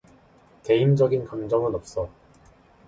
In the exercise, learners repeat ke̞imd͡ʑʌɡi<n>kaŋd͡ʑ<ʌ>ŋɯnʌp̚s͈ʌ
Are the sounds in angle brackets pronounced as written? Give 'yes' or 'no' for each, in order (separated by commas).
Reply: yes, yes